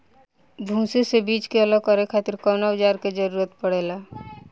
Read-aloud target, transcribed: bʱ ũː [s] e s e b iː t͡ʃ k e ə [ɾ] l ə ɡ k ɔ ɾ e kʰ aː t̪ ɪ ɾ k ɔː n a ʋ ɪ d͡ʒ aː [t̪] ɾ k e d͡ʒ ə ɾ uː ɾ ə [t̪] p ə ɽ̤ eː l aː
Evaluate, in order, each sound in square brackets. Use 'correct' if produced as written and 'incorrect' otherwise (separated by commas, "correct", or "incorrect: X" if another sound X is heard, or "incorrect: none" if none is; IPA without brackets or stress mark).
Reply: correct, incorrect: none, incorrect: none, correct